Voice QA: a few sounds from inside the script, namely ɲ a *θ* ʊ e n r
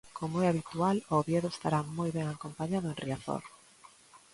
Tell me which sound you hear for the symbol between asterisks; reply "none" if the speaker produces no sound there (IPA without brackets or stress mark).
ð